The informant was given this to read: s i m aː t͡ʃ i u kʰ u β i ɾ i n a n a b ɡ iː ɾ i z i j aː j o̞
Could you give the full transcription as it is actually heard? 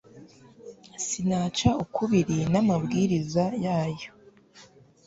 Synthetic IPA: s i n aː t͡ʃ a u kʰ u β i ɾ i n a m a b ɡ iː ɾ i z a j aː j o̞

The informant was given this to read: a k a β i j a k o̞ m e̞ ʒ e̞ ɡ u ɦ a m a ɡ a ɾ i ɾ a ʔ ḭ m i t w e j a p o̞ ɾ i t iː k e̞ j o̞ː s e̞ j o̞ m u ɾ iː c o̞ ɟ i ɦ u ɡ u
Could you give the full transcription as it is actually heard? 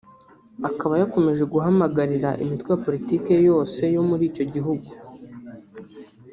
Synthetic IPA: a k a β a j a k o̞ m e̞ ʒ e̞ ɡ u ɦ a m a ɡ a ɾ i ɾ a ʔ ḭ m i t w e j a p o̞ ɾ i t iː k e̞ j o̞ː s e̞ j o̞ m u ɾ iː c o̞ ɟ i ɦ u ɡ u

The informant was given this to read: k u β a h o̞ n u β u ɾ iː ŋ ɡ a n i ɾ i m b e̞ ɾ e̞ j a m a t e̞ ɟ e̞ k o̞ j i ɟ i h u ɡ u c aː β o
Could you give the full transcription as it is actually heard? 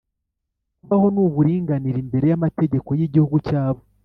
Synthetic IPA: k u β a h o̞ n u β u ɾ iː ŋ ɡ a n i ɾ i m b e̞ ɾ e̞ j a m a t e̞ ɟ e̞ k o̞ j i ɟ i h u ɡ u c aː β o

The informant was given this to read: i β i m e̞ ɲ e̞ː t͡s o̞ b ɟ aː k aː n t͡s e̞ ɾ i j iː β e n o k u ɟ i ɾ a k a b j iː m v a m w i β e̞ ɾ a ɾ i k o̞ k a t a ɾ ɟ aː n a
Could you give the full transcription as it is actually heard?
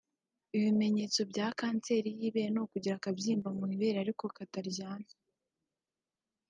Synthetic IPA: i β i m e̞ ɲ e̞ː t͡s o̞ b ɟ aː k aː n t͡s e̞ ɾ i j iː β e n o k u ɟ i ɾ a k a b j iː m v a m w i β e̞ ɾ a ɾ i k o̞ k a t a ɾ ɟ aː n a

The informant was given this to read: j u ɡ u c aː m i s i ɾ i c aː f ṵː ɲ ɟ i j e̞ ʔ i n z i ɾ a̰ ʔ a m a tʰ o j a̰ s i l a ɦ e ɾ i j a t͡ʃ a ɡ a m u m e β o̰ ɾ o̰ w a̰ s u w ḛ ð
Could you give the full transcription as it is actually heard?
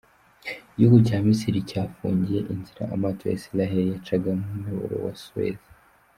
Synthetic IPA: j u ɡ u c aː m i s i ɾ i c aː f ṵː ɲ ɟ i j e̞ ʔ i n z i ɾ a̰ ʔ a m a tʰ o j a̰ s i l a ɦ e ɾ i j a t͡ʃ a ɡ a m u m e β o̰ ɾ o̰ w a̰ s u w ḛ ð

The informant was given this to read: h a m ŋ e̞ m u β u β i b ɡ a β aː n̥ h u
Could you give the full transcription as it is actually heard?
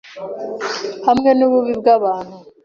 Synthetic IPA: h a m ŋ e̞ n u β u β i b ɡ a β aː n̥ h u

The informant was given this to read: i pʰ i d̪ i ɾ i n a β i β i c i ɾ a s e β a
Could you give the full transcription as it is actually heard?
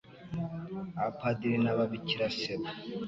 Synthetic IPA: a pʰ a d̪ i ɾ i n a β a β i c i ɾ a s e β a

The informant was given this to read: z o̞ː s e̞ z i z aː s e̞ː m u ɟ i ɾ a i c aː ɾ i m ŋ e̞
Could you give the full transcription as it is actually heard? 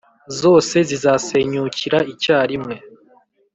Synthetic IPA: z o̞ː s e̞ z i z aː s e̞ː ɲ u c i ɾ a i c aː ɾ i m ŋ e̞

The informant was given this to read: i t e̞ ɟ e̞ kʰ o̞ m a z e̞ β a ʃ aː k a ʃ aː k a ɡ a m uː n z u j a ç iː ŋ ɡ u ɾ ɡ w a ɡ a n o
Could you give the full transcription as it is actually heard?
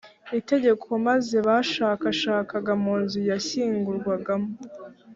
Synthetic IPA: i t e̞ ɟ e̞ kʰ o̞ m a z e̞ β a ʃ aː k a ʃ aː k a ɡ a m uː n z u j a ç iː ŋ ɡ u ɾ ɡ w a ɡ a m o

